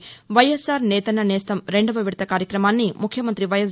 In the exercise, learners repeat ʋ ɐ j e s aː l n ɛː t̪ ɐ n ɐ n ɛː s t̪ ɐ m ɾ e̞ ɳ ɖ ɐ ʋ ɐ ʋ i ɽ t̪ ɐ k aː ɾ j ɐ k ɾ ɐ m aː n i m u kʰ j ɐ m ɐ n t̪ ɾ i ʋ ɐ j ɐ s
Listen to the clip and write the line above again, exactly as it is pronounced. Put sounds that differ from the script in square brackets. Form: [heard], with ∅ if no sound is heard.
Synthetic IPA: ʋ ɐ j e s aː [ɾ] n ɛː t̪ ɐ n ɐ n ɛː s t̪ ɐ m ɾ e̞ ɳ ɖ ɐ ʋ ɐ ʋ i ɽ t̪ ɐ k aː ɾ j ɐ k ɾ ɐ m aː [nː] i m u kʰ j ɐ m ɐ n t̪ ɾ i ʋ ɐ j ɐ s